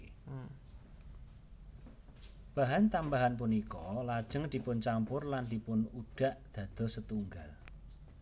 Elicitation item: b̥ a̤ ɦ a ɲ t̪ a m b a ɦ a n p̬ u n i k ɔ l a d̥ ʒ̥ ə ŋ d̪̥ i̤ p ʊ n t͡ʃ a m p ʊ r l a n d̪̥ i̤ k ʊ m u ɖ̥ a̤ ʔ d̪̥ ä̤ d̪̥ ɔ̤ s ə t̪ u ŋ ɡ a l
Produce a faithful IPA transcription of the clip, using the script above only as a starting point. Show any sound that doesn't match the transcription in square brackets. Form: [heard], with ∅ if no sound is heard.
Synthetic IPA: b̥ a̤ ɦ a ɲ t̪ a m b a ɦ a n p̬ u n i k ɔ l a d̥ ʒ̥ ə ŋ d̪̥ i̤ p ʊ n t͡ʃ a m p ʊ r l a n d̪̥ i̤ [p] ʊ [n] u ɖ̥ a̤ ʔ d̪̥ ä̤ d̪̥ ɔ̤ s ə t̪ u ŋ ɡ a l

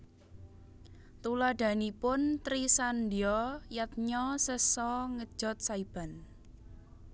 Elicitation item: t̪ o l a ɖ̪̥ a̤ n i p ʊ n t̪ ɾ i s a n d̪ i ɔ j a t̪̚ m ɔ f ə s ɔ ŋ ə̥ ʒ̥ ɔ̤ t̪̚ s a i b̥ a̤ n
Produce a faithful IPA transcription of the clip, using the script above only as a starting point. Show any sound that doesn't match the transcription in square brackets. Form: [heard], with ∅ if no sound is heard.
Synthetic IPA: t̪ [u] l a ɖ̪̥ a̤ n i p ʊ n t̪ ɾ i s a n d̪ i ɔ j a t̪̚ [ɲ] ɔ [s] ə s ɔ ŋ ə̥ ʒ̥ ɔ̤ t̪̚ s a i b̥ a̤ n

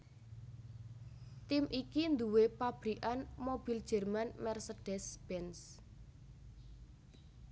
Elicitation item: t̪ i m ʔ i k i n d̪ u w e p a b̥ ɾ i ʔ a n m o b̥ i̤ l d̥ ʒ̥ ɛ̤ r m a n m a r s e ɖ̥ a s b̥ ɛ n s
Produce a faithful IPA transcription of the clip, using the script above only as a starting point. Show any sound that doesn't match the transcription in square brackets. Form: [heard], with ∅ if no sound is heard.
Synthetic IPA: t̪ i m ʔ i k i n d̪ u w e p a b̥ ɾ i ʔ a n m o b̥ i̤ l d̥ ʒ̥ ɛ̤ r m a n m [ɛ] r s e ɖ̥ [ɛ] s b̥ ɛ n s

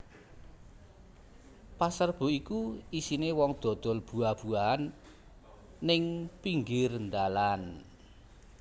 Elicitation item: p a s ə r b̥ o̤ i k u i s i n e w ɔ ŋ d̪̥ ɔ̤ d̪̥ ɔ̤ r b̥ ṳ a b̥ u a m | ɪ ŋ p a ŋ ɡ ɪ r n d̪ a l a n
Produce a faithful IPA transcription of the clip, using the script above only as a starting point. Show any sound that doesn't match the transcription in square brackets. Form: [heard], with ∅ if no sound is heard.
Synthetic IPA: p a s ə r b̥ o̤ i k u i s i n e w ɔ ŋ d̪̥ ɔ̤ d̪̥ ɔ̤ [l] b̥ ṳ a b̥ u a [n] | ɪ ŋ p [i] ŋ ɡ ɪ r n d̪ a l a n

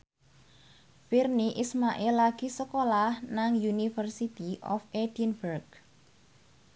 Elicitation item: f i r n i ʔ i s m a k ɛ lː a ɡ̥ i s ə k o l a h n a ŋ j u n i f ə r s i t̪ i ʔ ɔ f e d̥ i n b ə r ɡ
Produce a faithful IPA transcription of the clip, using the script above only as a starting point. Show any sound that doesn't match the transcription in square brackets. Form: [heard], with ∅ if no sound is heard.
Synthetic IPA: f i r n i ʔ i s m a [ʔ] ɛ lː a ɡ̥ i s ə k o l a h n a ŋ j u n i f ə r s i t̪ i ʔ ɔ f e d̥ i n b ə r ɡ

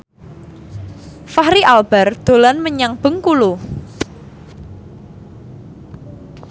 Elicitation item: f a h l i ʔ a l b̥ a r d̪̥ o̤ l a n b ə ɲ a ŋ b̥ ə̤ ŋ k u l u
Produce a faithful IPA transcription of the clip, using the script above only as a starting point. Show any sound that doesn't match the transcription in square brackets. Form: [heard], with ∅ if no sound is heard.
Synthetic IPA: f a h [ɾ] i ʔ a l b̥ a r d̪̥ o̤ l a n [m] ə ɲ a ŋ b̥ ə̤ ŋ k u l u

